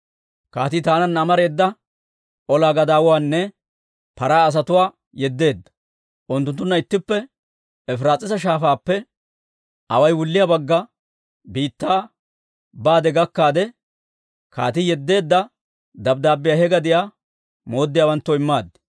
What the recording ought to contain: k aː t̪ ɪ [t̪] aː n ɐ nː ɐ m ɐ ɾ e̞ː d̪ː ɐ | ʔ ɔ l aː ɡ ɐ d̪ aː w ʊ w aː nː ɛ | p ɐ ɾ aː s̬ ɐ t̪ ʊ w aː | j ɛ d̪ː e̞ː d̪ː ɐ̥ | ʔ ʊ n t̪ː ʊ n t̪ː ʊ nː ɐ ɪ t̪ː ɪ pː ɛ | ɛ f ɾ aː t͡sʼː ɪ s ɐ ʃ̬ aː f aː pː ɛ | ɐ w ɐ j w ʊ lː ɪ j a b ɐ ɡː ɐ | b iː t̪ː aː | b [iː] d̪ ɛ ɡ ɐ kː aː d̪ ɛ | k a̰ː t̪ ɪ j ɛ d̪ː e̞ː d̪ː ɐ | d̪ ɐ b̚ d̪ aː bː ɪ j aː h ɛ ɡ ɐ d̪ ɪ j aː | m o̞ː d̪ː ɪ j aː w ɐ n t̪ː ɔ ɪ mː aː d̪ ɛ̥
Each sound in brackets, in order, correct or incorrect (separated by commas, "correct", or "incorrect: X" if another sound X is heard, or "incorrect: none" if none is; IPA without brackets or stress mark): correct, incorrect: aː